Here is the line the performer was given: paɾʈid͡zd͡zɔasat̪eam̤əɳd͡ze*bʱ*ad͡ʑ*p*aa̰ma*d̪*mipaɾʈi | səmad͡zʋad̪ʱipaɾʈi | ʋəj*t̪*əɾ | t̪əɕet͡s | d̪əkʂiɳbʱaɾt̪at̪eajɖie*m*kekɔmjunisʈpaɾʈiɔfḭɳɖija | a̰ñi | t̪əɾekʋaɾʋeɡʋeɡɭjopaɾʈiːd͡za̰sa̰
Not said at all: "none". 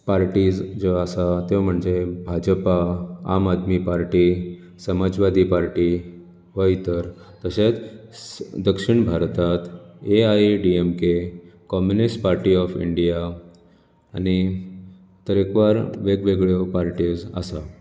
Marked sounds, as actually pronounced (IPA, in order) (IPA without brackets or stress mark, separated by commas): bʱ, p, d̪, t̪, m